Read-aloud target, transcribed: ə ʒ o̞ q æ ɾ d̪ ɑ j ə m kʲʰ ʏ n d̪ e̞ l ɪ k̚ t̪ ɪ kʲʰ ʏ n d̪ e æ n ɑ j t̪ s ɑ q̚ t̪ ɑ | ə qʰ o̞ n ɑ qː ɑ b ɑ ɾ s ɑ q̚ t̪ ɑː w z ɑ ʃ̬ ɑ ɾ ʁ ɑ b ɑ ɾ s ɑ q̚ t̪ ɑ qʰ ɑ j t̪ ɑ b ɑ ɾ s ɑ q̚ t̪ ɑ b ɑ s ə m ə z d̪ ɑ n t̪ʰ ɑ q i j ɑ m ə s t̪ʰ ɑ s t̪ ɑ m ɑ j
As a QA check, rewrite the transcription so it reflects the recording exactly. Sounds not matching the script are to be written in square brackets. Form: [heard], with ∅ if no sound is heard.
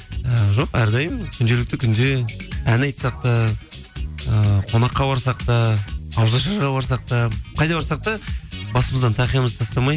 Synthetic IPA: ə ʒ o̞ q æ ɾ d̪ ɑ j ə m kʲʰ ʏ n d̪ e̞ l ɪ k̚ t̪ ɪ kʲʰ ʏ n d̪ e æ n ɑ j t̪ s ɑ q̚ t̪ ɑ | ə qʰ o̞ n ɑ qː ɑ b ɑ ɾ s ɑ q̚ t̪ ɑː w z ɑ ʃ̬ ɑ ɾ ʁ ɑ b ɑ ɾ s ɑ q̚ t̪ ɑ qʰ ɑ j [d̪] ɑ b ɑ ɾ s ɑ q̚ t̪ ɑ b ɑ s ə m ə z d̪ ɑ n t̪ʰ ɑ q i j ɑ m ə [z] t̪ʰ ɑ s t̪ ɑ m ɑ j